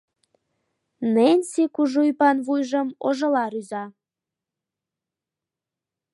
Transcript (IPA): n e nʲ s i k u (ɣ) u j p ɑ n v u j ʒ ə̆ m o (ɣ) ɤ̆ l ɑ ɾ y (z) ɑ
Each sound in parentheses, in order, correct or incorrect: incorrect: ʒ, incorrect: ʒ, correct

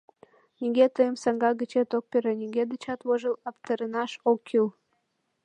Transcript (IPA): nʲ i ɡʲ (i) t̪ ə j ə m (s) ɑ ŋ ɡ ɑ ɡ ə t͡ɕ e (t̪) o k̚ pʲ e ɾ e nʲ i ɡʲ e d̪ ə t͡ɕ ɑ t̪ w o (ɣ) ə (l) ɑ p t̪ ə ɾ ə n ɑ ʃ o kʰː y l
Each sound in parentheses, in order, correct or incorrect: incorrect: e, correct, correct, incorrect: ʒ, correct

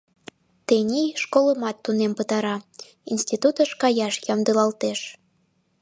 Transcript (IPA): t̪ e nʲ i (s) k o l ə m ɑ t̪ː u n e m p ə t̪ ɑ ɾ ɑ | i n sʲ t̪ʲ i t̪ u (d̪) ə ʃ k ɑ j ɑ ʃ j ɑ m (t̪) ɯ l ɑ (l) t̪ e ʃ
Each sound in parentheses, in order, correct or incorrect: incorrect: ʃ, incorrect: t̪, incorrect: d̪, correct

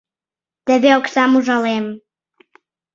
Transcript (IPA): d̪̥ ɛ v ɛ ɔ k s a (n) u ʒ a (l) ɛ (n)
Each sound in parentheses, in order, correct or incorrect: incorrect: m, correct, incorrect: m

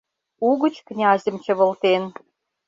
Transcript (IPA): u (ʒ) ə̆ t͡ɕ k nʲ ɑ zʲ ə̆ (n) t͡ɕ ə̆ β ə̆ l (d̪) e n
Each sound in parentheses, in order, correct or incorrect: incorrect: ɣ, incorrect: m, incorrect: t̪

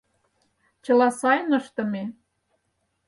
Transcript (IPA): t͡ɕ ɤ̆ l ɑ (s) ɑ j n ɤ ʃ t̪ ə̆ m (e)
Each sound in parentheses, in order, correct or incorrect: correct, correct

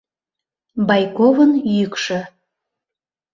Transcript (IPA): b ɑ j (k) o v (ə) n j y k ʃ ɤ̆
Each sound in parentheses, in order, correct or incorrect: correct, correct

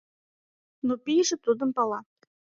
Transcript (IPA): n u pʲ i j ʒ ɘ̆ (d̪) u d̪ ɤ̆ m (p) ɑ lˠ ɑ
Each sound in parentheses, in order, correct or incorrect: incorrect: t̪, correct

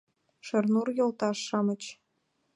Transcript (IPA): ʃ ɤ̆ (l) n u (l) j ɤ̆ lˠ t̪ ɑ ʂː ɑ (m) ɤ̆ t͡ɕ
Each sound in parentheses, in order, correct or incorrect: incorrect: r, incorrect: r, correct

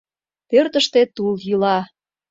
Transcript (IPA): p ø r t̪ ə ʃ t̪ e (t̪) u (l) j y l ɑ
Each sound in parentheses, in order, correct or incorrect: correct, correct

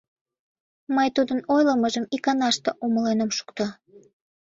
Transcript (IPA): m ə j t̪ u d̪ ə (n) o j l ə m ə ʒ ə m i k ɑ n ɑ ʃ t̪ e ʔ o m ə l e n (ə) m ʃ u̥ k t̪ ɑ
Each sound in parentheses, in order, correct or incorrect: correct, correct

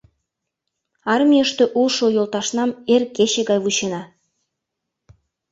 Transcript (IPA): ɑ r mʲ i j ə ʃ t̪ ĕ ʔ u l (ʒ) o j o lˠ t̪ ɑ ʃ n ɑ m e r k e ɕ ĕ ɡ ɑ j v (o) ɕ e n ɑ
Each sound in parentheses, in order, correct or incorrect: incorrect: ʃ, incorrect: u

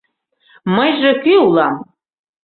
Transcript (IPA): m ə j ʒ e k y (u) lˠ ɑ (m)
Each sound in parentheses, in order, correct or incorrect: correct, correct

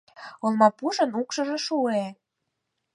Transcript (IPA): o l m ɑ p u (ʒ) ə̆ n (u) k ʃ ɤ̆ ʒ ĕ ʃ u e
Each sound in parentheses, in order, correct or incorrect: correct, correct

